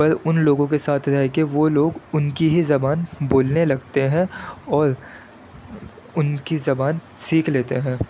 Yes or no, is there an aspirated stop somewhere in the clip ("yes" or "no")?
yes